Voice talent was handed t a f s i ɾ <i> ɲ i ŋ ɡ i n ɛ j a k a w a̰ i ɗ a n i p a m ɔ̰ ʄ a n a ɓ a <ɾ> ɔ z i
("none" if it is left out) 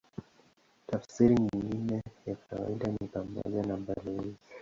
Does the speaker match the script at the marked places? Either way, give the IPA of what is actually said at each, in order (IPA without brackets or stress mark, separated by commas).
i, l